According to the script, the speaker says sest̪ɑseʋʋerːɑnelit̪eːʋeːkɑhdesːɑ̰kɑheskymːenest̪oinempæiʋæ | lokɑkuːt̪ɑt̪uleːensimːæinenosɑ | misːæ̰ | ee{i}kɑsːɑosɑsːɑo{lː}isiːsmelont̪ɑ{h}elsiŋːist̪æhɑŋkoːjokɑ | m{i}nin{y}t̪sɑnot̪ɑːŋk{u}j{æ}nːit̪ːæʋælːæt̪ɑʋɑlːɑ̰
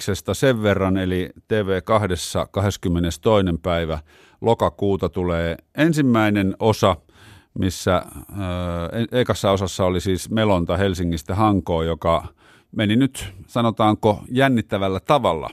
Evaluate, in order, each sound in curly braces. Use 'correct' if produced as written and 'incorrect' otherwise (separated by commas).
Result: correct, incorrect, correct, incorrect, correct, incorrect, correct